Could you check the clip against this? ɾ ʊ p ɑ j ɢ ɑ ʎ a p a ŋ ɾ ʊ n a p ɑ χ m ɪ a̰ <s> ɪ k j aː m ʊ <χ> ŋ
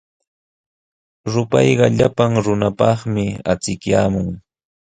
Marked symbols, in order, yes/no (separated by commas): no, no